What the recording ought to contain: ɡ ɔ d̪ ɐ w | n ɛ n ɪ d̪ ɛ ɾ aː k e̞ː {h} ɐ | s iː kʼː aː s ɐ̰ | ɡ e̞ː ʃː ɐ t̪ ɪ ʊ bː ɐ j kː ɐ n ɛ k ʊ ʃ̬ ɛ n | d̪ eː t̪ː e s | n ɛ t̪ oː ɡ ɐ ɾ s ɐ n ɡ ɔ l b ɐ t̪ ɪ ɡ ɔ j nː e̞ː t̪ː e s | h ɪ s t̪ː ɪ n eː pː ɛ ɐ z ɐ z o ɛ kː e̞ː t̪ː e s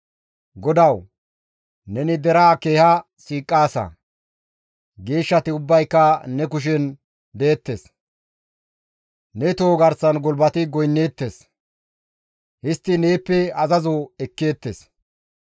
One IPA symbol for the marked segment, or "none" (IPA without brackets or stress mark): h